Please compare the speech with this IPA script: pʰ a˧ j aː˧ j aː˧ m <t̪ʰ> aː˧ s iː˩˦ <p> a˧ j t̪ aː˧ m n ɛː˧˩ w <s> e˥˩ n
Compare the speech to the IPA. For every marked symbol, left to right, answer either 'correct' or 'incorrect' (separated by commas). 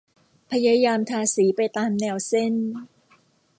correct, correct, correct